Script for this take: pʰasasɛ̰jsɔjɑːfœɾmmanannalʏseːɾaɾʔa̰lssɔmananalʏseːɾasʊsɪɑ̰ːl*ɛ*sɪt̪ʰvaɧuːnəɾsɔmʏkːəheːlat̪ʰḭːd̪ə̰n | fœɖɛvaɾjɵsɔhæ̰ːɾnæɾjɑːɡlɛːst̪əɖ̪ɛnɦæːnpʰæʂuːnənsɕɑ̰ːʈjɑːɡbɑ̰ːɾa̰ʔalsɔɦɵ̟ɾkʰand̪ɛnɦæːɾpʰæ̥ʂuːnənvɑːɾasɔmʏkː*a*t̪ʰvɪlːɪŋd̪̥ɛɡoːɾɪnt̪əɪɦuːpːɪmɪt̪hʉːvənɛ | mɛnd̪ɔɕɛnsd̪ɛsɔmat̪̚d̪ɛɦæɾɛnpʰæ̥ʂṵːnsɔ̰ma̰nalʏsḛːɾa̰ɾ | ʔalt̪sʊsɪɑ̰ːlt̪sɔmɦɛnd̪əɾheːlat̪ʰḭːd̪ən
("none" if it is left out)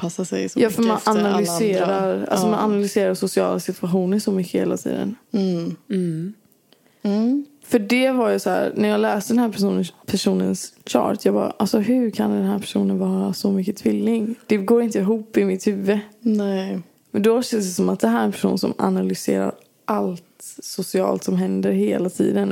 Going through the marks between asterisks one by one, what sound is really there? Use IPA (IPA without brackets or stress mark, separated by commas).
a, ə